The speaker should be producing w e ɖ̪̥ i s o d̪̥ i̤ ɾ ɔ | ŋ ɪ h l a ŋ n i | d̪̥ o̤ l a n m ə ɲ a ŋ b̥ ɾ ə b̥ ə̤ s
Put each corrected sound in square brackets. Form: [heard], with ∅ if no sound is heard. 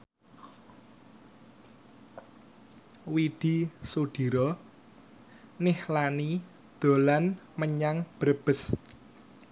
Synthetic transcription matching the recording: w [i] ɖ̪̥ i s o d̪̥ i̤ ɾ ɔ | [n] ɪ h l a [∅] n i | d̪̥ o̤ l a n m ə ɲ a ŋ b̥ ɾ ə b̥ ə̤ s